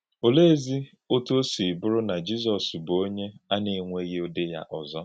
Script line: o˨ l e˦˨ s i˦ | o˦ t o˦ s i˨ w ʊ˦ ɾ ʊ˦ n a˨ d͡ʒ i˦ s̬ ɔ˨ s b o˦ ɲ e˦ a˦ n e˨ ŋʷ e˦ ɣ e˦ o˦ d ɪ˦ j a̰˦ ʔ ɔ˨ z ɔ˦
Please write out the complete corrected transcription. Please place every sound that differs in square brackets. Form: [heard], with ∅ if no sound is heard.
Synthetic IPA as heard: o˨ l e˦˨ [z] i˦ | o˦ t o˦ s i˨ [b] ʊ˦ ɾ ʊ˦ n a˨ d͡ʒ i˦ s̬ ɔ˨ s b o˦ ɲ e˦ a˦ n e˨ ŋʷ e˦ ɣ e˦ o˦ d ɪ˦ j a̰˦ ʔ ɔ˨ z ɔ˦